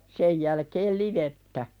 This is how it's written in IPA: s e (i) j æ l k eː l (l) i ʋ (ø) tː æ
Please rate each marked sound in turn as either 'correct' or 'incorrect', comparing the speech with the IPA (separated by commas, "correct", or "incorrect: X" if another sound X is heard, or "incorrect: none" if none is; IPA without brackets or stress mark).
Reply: incorrect: j, correct, incorrect: e